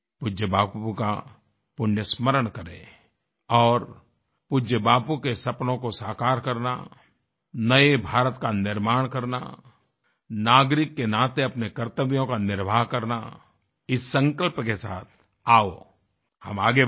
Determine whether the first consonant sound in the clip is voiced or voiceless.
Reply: voiceless